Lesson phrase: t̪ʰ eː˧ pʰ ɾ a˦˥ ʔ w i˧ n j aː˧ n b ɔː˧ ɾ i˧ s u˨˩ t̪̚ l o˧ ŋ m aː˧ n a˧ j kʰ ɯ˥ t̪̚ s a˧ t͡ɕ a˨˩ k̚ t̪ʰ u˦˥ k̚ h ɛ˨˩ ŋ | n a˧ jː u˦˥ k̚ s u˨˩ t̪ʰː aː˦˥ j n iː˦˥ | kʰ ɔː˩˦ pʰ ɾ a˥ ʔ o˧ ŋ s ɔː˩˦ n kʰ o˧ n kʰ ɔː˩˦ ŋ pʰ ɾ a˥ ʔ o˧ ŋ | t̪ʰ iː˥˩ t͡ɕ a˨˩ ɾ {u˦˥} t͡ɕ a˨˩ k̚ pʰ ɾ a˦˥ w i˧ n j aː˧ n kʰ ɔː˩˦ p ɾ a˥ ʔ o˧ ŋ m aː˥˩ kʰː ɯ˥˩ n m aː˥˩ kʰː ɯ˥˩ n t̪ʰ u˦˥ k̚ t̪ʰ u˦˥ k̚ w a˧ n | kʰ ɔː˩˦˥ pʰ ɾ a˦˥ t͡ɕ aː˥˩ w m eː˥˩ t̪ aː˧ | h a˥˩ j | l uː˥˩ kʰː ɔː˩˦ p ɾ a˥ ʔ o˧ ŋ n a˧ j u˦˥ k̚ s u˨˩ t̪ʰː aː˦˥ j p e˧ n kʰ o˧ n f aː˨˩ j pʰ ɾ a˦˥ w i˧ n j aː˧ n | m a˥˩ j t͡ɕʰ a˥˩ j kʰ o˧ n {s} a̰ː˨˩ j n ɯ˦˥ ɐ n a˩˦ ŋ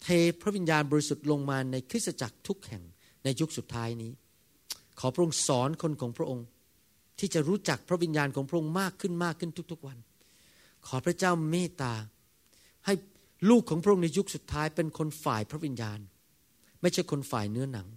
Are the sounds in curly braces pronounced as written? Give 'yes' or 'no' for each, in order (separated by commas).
no, no